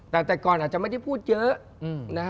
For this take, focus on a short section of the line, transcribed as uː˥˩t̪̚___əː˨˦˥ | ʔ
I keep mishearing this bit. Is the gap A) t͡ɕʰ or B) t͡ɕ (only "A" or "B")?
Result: B